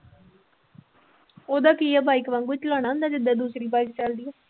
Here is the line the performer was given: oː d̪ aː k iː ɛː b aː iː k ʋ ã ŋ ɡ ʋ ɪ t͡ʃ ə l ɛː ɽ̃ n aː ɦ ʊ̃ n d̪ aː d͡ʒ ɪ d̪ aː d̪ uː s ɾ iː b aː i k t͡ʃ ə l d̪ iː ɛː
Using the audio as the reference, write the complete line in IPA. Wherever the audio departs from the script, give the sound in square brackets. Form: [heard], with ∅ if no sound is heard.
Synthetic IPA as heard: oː d̪ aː k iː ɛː b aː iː k ʋ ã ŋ ɡ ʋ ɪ t͡ʃ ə l [aː] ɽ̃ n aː ɦ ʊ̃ n d̪ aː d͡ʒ ɪ d̪ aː d̪ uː s ɾ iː b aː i k t͡ʃ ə l d̪ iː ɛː